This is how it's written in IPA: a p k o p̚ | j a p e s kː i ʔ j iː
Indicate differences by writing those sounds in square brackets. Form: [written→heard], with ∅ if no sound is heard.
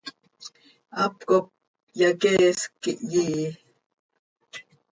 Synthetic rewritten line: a p k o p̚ | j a [p→k] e s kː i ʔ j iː